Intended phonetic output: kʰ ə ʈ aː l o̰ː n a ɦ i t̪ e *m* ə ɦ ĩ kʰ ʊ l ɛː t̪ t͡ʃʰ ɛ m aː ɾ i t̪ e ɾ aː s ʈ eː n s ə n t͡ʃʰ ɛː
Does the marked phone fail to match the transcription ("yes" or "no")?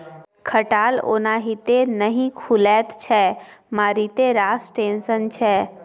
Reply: yes